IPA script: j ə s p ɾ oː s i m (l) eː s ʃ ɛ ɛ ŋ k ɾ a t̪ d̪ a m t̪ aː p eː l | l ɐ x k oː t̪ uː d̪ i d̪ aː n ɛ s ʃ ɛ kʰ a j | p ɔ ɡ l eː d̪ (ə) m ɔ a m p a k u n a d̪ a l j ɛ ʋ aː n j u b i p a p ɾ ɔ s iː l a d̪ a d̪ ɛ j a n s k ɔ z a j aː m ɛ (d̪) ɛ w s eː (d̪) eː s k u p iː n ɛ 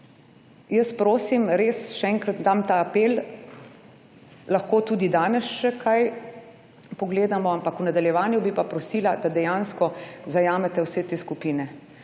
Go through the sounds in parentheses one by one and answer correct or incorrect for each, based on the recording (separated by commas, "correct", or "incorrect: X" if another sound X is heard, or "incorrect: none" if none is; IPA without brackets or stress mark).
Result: incorrect: ɾ, incorrect: a, incorrect: t̪, incorrect: t̪